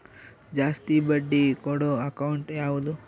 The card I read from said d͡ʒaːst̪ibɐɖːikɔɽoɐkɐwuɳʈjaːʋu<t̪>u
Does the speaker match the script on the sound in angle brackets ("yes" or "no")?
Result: no